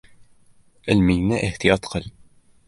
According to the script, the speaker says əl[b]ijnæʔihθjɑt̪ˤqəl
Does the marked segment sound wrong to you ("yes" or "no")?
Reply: yes